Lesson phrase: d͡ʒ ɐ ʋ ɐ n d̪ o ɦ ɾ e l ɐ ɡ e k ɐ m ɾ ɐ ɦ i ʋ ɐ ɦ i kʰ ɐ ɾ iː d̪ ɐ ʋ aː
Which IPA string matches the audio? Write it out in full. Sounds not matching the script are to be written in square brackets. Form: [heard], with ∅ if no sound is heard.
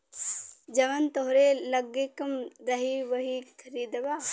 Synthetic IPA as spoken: d͡ʒ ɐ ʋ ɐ n [t̪] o ɦ ɾ e l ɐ ɡ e k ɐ m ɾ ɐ ɦ i ʋ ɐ ɦ i kʰ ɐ ɾ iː d̪ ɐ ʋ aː